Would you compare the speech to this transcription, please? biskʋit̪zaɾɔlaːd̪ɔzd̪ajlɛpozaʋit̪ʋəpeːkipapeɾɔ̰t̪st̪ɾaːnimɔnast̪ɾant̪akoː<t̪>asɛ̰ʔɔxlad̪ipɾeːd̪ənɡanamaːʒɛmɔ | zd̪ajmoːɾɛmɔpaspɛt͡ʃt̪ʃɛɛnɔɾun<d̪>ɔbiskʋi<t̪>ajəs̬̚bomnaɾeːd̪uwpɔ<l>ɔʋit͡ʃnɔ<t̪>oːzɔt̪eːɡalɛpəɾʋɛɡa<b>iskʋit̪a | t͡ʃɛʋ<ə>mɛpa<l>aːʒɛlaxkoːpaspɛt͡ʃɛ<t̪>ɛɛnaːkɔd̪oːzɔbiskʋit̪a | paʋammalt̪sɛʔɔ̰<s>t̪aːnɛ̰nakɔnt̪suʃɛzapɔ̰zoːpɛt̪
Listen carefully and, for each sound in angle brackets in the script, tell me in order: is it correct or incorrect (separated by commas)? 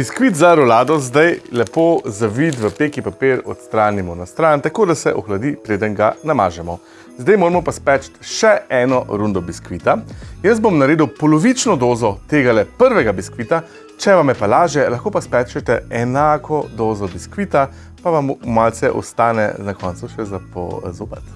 incorrect, correct, correct, correct, incorrect, correct, incorrect, correct, correct, correct